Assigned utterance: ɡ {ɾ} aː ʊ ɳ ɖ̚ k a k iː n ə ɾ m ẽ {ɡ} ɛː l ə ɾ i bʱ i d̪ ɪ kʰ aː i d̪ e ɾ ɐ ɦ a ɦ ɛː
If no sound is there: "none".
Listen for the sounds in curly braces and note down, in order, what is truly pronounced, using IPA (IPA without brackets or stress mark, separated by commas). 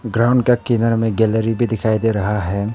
ɾ, ɡ